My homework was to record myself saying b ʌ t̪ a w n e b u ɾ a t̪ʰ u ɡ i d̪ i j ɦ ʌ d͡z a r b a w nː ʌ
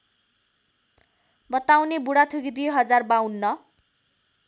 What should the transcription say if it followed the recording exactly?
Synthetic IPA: b ʌ t̪ a w n e b u ɽ a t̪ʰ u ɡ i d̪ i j ɦ ʌ d͡z a r b a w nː ʌ